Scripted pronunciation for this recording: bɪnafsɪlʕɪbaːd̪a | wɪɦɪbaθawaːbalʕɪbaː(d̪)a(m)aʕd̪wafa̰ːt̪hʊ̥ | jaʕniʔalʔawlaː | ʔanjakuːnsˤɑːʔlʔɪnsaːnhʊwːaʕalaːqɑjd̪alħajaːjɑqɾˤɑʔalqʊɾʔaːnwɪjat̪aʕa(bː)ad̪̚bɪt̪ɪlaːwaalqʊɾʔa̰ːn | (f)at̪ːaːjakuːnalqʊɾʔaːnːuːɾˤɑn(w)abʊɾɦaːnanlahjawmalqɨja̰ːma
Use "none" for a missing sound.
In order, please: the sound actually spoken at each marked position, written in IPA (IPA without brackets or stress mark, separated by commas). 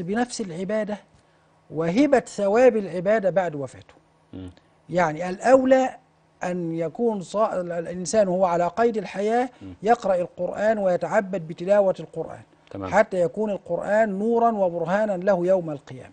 d̪, b, bː, ħ, w